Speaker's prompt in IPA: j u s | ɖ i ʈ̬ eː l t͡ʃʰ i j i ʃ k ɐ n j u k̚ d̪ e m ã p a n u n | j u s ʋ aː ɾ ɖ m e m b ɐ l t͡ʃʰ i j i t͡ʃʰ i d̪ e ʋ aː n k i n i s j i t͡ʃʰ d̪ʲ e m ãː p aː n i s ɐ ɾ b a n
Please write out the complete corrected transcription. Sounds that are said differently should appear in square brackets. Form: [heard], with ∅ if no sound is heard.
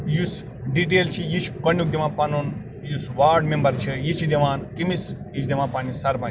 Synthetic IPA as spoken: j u s | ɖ i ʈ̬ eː l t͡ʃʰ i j i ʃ k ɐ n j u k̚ d̪ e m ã p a n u n | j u s ʋ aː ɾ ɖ m e m b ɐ [ɾ] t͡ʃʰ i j i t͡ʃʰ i d̪ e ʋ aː n k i [m] i s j i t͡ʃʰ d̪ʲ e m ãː p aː n i s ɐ ɾ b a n